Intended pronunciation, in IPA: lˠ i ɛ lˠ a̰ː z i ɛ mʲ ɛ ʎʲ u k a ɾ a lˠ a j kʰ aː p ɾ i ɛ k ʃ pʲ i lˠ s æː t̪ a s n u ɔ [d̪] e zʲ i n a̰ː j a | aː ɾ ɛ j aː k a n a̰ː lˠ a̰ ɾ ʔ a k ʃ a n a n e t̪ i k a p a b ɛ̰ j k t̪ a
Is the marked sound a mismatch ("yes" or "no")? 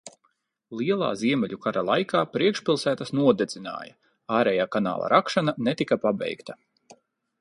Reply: no